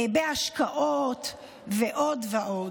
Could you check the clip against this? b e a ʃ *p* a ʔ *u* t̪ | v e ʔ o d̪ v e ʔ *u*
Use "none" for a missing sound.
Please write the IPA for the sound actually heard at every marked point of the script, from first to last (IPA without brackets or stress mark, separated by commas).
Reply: k, o, o